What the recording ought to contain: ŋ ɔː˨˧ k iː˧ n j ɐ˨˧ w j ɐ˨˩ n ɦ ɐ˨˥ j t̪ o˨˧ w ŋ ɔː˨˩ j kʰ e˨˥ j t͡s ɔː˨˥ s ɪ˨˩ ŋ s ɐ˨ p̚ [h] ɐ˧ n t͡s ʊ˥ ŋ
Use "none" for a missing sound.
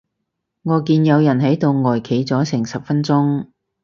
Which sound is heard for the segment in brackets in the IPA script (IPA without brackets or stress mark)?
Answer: f